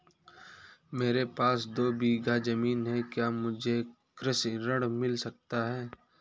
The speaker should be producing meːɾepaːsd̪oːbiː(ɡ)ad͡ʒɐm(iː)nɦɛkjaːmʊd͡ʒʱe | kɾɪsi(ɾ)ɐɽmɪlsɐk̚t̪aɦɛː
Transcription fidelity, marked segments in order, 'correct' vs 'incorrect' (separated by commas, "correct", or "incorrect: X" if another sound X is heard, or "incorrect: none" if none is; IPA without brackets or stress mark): correct, correct, correct